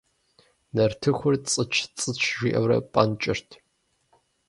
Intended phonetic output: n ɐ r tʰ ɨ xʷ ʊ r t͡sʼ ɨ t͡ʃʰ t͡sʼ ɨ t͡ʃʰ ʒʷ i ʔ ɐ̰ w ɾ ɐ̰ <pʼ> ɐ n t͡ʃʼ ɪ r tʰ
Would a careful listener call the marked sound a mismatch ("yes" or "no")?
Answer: no